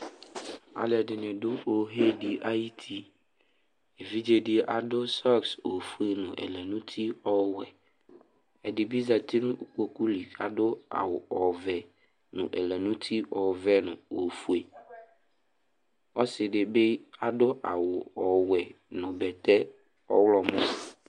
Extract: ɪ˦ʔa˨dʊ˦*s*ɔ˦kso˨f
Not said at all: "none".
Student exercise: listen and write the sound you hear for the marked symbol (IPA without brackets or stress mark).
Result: s